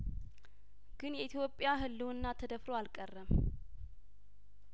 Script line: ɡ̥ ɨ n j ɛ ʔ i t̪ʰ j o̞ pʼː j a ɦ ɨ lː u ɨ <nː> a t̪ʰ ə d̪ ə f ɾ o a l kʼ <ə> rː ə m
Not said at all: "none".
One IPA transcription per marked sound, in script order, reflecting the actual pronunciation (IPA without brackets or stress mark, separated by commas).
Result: nː, ə